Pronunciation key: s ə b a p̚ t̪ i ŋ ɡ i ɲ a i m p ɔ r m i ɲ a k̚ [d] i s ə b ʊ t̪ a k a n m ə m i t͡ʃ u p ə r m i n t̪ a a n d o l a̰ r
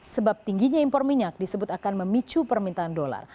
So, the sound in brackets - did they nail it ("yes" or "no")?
yes